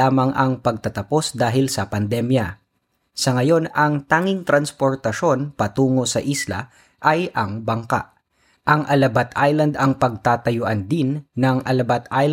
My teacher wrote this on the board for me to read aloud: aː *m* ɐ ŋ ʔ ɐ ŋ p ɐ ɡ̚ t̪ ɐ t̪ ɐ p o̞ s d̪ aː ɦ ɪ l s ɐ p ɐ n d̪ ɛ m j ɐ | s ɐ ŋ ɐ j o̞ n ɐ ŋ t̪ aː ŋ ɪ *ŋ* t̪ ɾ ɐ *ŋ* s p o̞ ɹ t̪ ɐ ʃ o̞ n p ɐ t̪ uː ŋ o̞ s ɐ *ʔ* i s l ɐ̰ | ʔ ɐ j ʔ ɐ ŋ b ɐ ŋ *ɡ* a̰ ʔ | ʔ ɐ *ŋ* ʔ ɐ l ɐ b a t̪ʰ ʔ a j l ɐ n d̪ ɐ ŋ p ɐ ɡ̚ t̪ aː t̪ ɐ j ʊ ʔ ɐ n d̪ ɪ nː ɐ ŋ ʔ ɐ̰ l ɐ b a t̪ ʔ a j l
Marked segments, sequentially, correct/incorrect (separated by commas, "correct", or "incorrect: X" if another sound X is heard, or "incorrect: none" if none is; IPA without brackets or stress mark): correct, correct, incorrect: n, correct, incorrect: k, correct